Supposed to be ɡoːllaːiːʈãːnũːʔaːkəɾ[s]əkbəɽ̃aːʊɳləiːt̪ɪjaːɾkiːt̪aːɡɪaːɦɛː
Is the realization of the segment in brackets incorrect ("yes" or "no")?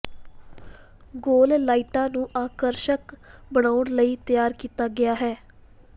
yes